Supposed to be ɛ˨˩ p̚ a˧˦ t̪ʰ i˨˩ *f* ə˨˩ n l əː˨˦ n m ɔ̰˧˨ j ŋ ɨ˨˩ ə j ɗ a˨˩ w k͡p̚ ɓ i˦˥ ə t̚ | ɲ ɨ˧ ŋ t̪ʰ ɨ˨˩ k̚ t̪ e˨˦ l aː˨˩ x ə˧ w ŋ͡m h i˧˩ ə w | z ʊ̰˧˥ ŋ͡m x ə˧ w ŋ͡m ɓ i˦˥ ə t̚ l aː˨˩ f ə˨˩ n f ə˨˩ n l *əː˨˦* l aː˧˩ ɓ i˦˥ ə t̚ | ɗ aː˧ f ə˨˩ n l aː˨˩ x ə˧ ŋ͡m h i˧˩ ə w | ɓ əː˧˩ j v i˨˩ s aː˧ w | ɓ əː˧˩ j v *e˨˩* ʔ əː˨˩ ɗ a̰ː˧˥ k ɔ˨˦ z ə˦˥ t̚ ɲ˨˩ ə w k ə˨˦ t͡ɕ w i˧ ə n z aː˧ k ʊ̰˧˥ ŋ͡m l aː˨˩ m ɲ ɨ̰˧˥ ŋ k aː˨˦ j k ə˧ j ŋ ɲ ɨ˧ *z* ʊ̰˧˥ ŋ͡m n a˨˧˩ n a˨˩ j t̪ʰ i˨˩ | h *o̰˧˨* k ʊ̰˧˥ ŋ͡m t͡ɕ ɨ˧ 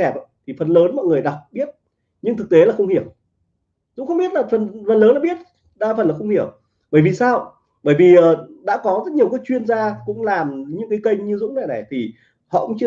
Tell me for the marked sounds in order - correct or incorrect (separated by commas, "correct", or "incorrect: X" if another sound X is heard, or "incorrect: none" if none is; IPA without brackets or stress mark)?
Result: correct, correct, incorrect: i˨˩, correct, incorrect: ɔ̰˧˨